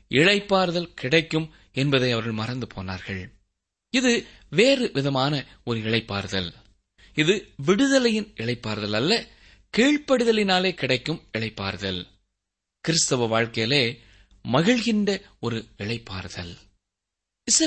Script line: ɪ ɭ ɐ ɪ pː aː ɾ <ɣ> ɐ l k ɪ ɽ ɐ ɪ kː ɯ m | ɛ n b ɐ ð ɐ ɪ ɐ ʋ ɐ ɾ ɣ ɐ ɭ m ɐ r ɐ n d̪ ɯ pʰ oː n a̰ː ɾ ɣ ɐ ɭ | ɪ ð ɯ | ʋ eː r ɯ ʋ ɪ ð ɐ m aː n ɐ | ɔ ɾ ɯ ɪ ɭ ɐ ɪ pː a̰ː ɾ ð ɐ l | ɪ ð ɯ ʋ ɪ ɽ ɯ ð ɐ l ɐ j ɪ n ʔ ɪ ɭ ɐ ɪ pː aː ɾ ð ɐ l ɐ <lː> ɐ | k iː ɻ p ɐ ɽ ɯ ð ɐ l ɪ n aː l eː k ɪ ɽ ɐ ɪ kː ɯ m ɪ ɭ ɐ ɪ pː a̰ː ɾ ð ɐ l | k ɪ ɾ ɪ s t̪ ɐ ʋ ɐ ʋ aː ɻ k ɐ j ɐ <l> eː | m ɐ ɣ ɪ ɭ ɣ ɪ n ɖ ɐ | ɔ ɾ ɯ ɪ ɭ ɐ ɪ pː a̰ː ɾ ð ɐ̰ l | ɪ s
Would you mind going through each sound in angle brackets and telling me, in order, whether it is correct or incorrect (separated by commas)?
incorrect, correct, correct